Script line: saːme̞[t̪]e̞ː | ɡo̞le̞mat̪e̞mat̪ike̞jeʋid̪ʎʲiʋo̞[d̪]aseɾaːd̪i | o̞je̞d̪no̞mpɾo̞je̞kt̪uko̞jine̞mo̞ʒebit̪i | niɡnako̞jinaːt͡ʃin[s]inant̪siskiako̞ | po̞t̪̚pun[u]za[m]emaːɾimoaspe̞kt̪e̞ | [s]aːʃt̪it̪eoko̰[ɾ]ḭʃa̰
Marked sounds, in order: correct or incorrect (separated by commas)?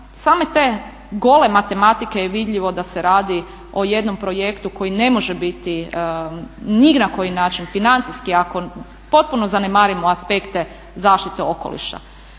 correct, correct, incorrect, incorrect, incorrect, incorrect, incorrect